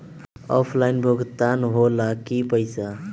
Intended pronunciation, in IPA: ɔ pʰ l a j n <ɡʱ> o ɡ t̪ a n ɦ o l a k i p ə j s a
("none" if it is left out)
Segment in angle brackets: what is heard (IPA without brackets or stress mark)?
bʱ